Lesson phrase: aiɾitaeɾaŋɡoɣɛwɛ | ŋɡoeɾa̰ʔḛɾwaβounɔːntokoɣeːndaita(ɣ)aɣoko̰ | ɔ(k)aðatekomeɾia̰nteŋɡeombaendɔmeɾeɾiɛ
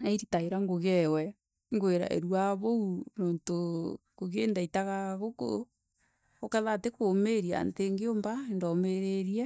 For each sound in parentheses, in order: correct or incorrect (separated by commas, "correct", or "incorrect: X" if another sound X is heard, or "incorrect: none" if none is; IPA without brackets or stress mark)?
correct, correct